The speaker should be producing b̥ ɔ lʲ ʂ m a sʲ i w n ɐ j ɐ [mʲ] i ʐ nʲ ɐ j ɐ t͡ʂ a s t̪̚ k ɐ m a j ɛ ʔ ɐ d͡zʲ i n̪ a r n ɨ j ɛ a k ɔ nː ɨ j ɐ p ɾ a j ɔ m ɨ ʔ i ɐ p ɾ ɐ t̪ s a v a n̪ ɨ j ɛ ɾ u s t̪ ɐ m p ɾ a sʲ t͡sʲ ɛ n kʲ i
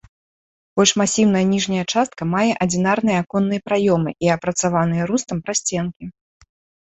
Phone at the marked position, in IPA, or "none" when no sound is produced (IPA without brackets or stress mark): nʲ